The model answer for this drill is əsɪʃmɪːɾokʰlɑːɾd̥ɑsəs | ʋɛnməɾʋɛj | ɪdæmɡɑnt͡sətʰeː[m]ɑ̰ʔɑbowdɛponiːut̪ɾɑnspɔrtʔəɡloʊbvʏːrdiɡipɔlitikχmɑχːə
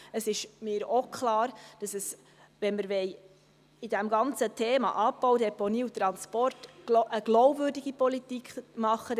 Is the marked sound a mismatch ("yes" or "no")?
no